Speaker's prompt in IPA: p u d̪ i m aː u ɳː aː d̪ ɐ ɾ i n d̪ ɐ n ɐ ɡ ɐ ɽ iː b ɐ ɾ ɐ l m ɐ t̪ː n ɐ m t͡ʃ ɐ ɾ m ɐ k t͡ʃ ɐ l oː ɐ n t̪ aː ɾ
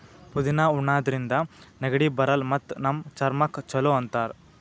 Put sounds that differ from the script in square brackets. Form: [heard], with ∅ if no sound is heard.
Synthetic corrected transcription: p u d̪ i [n] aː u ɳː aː d̪ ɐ ɾ i n d̪ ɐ n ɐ ɡ ɐ ɽ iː b ɐ ɾ ɐ l m ɐ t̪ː n ɐ m t͡ʃ ɐ ɾ m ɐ k t͡ʃ ɐ l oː ɐ n t̪ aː ɾ

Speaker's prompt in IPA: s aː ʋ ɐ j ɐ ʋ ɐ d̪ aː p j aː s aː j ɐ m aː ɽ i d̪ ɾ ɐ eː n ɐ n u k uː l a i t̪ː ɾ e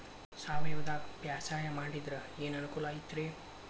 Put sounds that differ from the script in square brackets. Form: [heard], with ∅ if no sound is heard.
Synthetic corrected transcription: s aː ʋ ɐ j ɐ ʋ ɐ d̪ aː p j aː s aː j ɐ m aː ɽ i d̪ ɾ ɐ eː n ɐ n u k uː l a i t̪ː ɾ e

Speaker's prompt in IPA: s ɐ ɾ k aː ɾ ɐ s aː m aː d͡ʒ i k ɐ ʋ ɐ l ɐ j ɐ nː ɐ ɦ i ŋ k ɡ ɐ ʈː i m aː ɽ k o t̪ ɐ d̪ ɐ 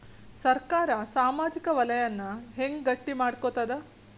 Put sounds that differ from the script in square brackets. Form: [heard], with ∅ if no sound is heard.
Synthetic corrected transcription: s ɐ ɾ k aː ɾ ɐ s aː m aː d͡ʒ i k ɐ ʋ ɐ l ɐ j ɐ nː ɐ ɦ [e] ŋ [ɡ] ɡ ɐ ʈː i m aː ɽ k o t̪ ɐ d̪ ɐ

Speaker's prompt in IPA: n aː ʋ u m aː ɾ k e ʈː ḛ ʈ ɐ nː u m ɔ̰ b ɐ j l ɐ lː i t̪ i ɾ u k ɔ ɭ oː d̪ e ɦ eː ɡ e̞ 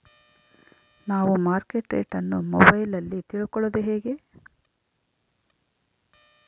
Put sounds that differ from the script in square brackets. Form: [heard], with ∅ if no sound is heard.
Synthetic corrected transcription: n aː ʋ u m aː ɾ k e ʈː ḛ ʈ ɐ nː u m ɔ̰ b ɐ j l ɐ lː i t̪ i [ɭ] u k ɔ ɭ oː d̪ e ɦ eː ɡ e̞

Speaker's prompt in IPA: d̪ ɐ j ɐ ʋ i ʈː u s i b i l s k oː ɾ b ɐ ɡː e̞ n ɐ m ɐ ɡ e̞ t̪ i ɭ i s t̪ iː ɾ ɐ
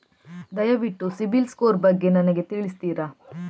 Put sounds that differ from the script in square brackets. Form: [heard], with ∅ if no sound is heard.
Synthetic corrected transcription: d̪ ɐ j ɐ ʋ i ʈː u s i b i l s k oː ɾ b ɐ ɡː e̞ n ɐ [n] ɐ ɡ e̞ t̪ i ɭ i s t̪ iː ɾ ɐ

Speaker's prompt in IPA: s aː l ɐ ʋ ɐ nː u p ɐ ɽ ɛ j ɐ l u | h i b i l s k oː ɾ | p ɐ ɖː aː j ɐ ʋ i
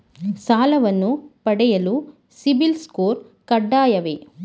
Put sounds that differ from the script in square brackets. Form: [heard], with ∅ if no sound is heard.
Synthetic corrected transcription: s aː l ɐ ʋ ɐ nː u p ɐ ɽ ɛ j ɐ l u | [s] i b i l s k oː ɾ | [k] ɐ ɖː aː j ɐ ʋ [e]

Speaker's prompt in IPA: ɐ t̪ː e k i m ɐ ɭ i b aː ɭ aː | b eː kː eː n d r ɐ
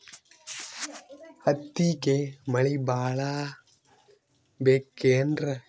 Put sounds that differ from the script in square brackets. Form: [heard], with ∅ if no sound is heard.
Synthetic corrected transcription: ɐ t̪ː [i] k [e] m ɐ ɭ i b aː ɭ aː | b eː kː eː n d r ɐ

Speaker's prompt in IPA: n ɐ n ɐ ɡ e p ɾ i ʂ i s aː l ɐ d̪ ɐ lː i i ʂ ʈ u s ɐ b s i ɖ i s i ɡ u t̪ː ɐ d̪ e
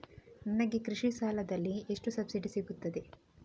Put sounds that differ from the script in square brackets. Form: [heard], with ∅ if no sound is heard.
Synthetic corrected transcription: n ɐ n ɐ ɡ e [k] ɾ i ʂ i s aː l ɐ d̪ ɐ lː i [e] ʂ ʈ u s ɐ b s i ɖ i s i ɡ u t̪ː ɐ d̪ e

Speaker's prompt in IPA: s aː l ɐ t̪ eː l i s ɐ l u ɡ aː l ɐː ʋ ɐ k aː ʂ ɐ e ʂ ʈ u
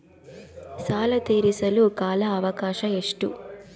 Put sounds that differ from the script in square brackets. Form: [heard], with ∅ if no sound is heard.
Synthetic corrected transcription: s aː l ɐ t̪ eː [ɾ] i s ɐ l u [k] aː l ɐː ʋ ɐ k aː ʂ ɐ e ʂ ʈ u

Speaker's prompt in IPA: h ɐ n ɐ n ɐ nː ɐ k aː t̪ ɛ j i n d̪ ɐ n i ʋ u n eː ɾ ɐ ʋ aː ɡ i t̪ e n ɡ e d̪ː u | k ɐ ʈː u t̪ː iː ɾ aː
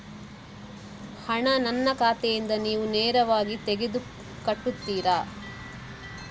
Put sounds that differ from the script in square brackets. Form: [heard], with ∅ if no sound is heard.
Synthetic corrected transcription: h ɐ [ɳ] ɐ n ɐ nː ɐ k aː t̪ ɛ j i n d̪ ɐ n [iː] ʋ u n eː ɾ ɐ ʋ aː ɡ i t̪ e [∅] ɡ e [d̪] u | k ɐ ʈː u t̪ː iː ɾ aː

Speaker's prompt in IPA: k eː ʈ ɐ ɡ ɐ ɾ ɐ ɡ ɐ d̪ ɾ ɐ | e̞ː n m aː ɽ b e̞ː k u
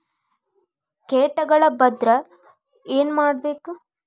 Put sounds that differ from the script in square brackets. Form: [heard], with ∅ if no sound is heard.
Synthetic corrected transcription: k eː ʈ ɐ ɡ ɐ [ɭ] ɐ [b] ɐ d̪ ɾ ɐ | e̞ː n m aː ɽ b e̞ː k u

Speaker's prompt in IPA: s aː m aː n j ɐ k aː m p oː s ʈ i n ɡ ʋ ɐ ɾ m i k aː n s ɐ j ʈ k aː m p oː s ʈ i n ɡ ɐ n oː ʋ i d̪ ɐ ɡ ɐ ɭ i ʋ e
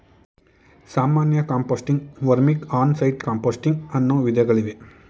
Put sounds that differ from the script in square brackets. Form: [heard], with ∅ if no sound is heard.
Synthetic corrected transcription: s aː m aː n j ɐ k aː m p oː s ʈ i [ŋ] ɡ ʋ ɐ ɾ m i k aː n s ɐ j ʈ k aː m p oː s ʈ i [ŋ] ɡ ɐ [nː] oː ʋ i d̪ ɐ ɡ ɐ ɭ i ʋ e

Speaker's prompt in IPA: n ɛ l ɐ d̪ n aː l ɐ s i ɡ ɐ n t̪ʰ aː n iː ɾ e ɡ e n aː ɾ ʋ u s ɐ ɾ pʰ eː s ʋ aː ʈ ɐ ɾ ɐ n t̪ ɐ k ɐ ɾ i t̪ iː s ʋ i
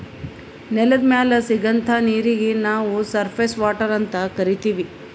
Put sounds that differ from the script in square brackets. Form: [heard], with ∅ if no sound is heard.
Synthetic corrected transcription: n ɛ l ɐ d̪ [m] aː l ɐ s i ɡ ɐ n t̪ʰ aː n iː ɾ [i] ɡ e n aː [∅] ʋ u s ɐ ɾ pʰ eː s ʋ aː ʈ ɐ ɾ ɐ n t̪ ɐ k ɐ ɾ i t̪ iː [∅] ʋ i

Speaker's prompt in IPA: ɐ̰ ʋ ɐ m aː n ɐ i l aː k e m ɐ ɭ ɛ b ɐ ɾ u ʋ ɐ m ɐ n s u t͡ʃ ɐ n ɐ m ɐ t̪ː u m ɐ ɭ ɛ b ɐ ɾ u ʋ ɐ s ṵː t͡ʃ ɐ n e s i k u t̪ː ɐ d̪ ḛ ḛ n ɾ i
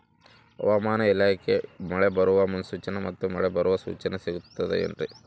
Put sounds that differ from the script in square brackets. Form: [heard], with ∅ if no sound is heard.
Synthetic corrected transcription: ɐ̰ ʋ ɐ m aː n ɐ i l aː k e m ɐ ɭ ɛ b ɐ ɾ u ʋ ɐ m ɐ n s [uː] t͡ʃ ɐ n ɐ m ɐ t̪ː u m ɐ ɭ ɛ b ɐ ɾ u ʋ ɐ s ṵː t͡ʃ ɐ n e s i [ɡ] u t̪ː ɐ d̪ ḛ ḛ n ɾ i

